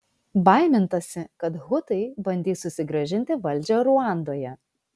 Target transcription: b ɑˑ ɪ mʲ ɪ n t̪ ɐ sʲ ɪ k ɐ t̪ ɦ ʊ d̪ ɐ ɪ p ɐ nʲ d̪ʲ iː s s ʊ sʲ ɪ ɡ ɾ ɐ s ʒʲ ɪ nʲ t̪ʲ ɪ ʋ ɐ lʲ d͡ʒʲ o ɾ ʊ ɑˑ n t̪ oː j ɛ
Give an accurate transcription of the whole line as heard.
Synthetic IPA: b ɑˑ ɪ mʲ ɪ n t̪ ɐ sʲ ɪ k ɐ t̪ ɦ ʊ t̪ ɐ ɪ b ɐ nʲ d̪ʲ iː s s ʊ sʲ ɪ ɡ ɾ ɐ ʒʲ ɪ nʲ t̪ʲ ɪ ʋ ɐ lʲ d͡ʒʲ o ɾ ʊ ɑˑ n d̪ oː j ɛ